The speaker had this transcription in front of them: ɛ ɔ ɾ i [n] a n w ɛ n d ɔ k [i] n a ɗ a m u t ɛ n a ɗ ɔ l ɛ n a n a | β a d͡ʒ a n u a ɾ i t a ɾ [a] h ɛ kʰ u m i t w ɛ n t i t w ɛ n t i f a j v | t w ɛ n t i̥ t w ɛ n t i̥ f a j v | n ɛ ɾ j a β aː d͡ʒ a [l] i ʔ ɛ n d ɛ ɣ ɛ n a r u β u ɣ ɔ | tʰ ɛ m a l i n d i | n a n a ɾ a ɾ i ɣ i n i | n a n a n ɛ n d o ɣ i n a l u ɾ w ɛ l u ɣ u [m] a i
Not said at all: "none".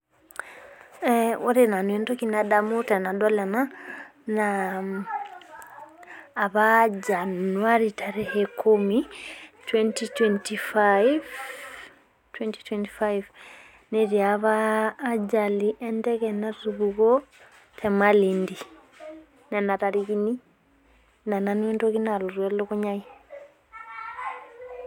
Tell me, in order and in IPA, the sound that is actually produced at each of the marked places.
n, i, ɛ, l, ɲ

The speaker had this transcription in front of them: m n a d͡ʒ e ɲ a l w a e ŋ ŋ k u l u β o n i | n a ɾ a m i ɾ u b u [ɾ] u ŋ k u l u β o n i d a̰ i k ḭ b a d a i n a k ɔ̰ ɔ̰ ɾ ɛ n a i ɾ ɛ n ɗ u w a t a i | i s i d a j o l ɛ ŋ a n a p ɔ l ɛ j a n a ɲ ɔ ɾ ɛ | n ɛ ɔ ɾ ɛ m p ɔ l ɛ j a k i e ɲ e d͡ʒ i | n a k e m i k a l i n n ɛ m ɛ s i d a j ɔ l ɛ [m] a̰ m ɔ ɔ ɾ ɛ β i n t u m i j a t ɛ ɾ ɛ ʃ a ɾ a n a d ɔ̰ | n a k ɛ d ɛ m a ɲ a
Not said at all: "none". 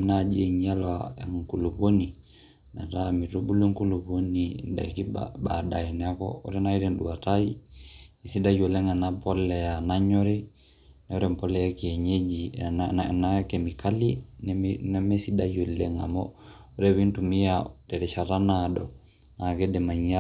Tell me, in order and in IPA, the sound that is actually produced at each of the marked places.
l, ŋ

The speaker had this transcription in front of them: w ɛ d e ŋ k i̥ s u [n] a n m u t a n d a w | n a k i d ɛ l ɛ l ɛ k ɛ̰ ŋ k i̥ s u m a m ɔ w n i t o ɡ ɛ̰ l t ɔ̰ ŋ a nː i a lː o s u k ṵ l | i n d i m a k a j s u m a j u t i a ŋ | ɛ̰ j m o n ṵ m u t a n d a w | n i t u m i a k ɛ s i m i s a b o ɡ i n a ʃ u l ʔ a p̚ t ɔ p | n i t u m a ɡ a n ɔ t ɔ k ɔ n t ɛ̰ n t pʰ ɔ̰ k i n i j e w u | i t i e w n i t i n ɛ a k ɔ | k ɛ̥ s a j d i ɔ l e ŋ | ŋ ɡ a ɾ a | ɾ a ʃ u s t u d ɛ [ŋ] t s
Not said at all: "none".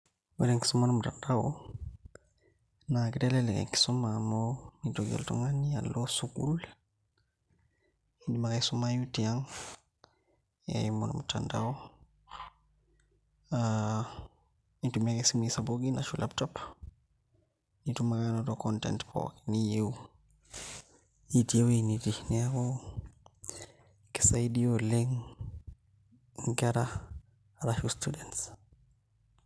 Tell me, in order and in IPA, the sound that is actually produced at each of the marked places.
m, n

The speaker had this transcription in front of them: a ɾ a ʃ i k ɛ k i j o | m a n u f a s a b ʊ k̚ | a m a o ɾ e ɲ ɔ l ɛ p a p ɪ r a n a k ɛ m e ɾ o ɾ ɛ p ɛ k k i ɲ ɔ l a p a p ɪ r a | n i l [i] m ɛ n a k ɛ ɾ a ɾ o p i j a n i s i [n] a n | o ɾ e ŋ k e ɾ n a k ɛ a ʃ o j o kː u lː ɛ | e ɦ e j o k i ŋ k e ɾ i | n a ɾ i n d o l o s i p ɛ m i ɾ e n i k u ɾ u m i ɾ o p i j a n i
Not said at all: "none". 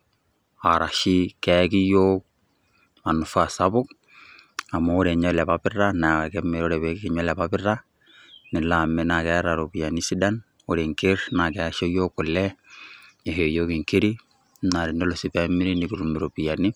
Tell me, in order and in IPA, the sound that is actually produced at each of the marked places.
a, d

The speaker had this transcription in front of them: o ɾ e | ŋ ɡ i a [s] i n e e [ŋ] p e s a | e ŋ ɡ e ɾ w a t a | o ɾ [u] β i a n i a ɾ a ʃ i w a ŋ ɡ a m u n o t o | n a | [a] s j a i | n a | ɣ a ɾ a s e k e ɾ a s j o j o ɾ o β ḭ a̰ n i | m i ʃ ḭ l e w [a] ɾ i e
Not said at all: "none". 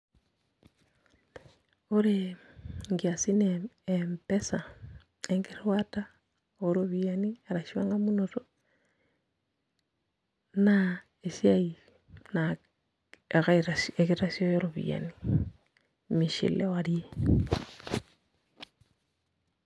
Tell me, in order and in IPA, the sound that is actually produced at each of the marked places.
s, m, o, e, a

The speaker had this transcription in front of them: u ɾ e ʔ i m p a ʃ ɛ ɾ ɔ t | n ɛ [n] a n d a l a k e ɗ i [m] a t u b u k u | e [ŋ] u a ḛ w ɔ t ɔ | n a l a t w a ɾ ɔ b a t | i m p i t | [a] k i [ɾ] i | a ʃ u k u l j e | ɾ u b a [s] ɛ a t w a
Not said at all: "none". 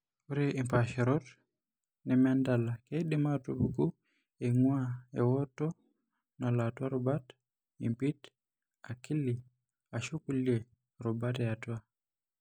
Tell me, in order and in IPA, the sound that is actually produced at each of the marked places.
m, m, ŋ, a, l, t

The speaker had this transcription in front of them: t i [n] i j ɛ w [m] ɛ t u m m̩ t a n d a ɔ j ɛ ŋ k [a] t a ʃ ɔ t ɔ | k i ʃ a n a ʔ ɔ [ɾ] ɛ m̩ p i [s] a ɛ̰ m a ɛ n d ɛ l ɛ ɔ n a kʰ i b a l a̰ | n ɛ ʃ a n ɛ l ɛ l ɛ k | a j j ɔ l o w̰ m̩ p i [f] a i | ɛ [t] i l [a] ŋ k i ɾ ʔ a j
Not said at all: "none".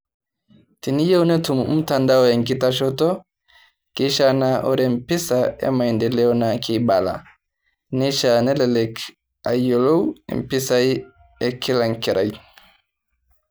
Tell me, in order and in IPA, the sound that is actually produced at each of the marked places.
n, n, i, ɾ, s, s, k, a

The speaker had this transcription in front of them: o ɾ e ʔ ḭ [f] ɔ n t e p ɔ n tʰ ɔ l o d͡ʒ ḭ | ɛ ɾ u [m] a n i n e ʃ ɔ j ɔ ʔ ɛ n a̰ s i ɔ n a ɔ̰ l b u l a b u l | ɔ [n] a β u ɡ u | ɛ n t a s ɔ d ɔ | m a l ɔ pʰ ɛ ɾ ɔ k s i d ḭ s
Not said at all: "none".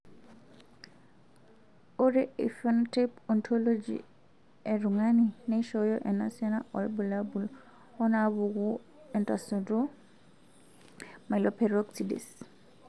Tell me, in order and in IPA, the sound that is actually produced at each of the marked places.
f, ŋ, n

